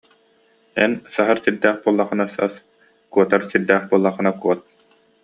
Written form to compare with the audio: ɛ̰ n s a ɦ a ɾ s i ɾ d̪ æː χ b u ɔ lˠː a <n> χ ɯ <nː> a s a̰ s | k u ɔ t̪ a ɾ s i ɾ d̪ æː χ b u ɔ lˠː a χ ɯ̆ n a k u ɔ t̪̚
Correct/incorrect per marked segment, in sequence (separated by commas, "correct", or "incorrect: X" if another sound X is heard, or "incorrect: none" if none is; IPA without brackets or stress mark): incorrect: none, incorrect: n